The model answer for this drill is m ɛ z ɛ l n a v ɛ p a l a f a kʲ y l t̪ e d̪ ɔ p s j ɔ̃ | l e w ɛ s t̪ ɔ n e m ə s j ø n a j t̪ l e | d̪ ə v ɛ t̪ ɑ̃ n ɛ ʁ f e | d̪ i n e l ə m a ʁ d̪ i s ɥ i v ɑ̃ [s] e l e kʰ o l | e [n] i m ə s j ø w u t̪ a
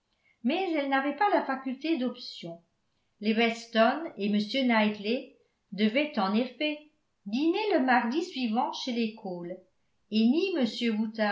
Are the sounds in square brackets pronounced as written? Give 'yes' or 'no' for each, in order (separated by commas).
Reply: no, yes